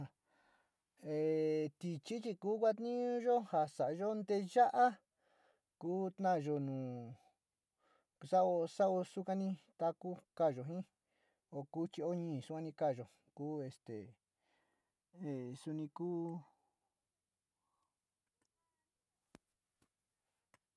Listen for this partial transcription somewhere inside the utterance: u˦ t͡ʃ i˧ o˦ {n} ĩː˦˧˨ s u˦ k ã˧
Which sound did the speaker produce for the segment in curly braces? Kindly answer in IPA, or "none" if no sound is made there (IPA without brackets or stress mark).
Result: ɲ